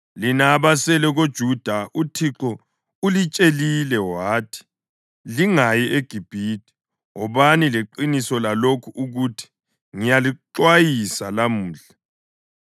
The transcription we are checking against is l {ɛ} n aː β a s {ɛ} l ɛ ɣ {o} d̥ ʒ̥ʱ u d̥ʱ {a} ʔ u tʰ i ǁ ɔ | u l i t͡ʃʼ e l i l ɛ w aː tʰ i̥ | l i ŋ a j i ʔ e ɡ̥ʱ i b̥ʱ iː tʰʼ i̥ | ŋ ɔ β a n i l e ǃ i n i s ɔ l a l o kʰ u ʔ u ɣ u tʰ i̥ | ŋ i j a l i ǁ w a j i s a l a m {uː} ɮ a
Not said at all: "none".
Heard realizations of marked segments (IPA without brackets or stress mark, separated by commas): i, ɛ, o, a, uː